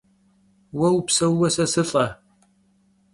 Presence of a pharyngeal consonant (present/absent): absent